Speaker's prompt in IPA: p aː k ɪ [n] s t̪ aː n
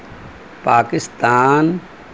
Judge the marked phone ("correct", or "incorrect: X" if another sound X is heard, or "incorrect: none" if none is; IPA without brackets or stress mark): incorrect: none